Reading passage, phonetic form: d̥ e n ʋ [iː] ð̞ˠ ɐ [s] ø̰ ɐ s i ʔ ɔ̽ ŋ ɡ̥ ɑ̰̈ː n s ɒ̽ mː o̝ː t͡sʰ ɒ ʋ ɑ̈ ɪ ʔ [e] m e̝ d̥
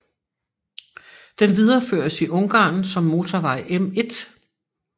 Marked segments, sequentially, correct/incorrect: incorrect: i, incorrect: f, correct

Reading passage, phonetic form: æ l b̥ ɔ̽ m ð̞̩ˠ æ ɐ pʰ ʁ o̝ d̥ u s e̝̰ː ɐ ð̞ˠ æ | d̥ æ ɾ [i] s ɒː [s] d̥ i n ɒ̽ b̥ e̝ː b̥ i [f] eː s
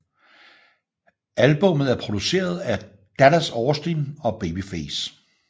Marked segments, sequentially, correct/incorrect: incorrect: æ, correct, correct

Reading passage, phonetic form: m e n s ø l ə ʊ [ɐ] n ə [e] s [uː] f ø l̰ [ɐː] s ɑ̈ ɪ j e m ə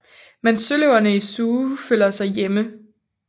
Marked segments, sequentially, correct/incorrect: correct, incorrect: i, correct, incorrect: ɐ

